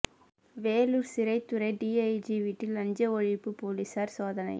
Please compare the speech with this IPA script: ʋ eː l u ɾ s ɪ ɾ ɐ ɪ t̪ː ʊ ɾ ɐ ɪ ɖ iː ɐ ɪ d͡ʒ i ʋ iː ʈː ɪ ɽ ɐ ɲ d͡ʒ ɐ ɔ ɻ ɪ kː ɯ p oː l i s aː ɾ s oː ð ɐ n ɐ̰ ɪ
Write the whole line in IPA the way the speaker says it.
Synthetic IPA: ʋ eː l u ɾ s ɪ ɾ ɐ ɪ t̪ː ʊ ɾ ɐ ɪ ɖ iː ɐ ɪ d͡ʒ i ʋ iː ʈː ɪ l ɐ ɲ d͡ʒ ɐ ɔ ɻ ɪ pː ɯ p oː l i s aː ɾ s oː ð ɐ n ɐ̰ ɪ

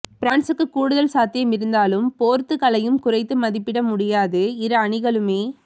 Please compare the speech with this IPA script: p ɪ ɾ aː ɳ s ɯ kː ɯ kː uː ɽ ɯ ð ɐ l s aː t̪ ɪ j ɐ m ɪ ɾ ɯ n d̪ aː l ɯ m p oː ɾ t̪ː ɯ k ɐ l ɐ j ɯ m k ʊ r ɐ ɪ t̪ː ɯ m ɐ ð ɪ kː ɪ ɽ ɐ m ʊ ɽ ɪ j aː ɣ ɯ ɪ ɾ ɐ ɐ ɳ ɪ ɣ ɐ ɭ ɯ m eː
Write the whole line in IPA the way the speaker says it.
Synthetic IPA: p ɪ ɾ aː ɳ s ɯ kː ɯ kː uː ɽ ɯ ð ɐ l s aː t̪ ɪ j ɐ m ɪ ɾ ɯ n d̪ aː l ɯ m p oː ɾ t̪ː ɯ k ɐ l ɐ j ɯ m k ʊ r ɐ ɪ t̪ː ɯ m ɐ ð ɪ pː ɪ ɽ ɐ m ʊ ɽ ɪ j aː ð ɯ ɪ ɾ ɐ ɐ ɳ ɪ ɣ ɐ ɭ ɯ m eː

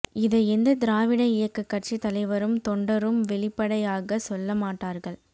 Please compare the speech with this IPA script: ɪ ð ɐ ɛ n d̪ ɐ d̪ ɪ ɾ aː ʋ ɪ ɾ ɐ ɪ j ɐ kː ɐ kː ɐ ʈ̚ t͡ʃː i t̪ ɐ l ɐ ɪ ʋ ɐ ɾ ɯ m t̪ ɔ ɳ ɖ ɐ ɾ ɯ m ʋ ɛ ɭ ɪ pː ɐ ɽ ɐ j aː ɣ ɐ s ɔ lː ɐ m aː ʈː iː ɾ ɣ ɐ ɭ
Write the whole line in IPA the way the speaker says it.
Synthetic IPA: ɪ ð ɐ ɛ n d̪ ɐ d̪ ɪ ɾ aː ʋ ɪ ɽ ɐ ɪ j ɐ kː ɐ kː ɐ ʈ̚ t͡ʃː i t̪ ɐ l ɐ ɪ ʋ ɐ ɾ ɯ m t̪ ɔ ɳ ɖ ɐ ɾ ɯ m ʋ ɛ ɭ ɪ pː ɐ ɽ ɐ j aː ɣ ɐ s ɔ lː ɐ m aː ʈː aː ɾ ɣ ɐ ɭ

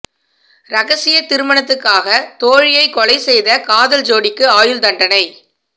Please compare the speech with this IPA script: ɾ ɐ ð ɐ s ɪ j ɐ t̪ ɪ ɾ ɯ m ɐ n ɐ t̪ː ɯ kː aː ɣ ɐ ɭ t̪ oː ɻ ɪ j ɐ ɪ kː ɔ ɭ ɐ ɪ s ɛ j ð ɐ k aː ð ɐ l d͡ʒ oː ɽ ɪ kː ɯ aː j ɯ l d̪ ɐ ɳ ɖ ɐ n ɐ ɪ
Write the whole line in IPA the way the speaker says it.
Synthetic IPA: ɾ ɐ ɣ ɐ s ɪ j ɐ t̪ ɪ ɾ ɯ m ɐ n ɐ t̪ː ɯ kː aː ɣ ɐ t̪ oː ɻ ɪ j ɐ ɪ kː ɔ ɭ ɐ ɪ s ɛ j ð ɐ k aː ð ɐ l d͡ʒ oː ɽ ɪ kː ɯ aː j ɯ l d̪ ɐ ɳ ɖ ɐ n ɐ ɪ

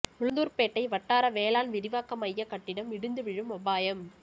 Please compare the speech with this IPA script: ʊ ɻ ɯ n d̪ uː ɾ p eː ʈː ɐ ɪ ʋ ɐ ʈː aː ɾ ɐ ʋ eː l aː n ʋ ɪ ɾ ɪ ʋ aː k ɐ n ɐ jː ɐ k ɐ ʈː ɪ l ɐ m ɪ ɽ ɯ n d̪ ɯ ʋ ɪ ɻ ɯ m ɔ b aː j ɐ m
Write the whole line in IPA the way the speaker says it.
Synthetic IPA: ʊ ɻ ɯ n d̪ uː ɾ p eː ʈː ɐ ɪ ʋ ɐ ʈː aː ɾ ɐ ʋ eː l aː n ʋ ɪ ɾ ɪ ʋ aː k ɐ m ɐ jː ɐ k ɐ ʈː ɪ ɽ ɐ m ɪ ɽ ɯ n d̪ ɯ ʋ ɪ ɻ ɯ m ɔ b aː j ɐ m

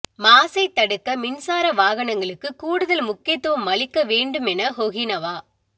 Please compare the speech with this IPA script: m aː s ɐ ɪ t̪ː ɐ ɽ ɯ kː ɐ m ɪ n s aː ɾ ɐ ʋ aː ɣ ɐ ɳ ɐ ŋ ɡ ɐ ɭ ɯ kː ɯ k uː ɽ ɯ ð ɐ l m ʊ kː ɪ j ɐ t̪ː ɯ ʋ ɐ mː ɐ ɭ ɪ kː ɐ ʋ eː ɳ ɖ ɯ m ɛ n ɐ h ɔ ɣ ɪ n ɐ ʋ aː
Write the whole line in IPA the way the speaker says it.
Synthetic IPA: m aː s ɐ ɪ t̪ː ɐ ɽ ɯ kː ɐ m ɪ n s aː ɾ ɐ ʋ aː ɣ ɐ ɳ ɐ ŋ ɡ ɐ ɭ ɯ kː ɯ k uː ɽ ɯ ð ɐ l m ʊ kː ɪ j ɐ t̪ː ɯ ʋ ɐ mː ɐ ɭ ɪ kː ɐ ʋ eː ɳ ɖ ɯ m ɛ n ɐ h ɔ ɣ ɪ n ɐ ʋ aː

